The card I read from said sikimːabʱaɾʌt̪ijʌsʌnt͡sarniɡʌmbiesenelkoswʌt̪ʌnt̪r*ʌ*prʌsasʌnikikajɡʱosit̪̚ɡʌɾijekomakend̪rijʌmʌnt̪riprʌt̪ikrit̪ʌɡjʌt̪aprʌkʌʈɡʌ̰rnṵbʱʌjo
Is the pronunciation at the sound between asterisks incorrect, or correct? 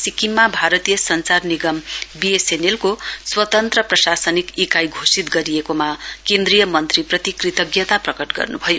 correct